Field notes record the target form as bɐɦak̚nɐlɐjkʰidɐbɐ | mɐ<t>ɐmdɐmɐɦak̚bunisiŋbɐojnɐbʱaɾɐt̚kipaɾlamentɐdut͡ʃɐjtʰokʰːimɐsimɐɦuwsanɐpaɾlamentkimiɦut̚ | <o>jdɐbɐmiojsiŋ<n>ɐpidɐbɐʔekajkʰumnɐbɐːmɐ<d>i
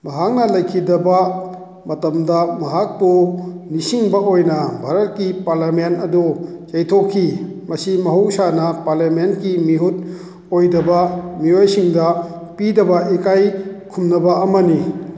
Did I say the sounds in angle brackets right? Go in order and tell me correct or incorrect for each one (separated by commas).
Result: correct, correct, incorrect, incorrect